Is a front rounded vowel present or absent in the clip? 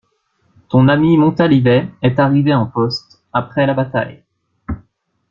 absent